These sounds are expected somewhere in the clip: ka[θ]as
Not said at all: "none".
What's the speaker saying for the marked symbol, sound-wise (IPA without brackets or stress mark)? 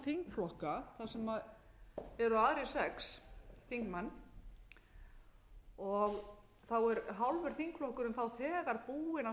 θ